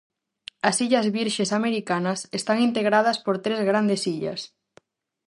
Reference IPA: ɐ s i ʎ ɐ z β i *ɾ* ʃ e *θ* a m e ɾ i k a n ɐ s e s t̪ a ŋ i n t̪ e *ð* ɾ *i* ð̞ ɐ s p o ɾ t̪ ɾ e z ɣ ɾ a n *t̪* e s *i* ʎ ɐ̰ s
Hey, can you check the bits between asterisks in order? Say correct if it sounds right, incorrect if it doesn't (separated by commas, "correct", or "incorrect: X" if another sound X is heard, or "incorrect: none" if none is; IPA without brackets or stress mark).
correct, incorrect: s, incorrect: ɣ, incorrect: a, incorrect: d̪, correct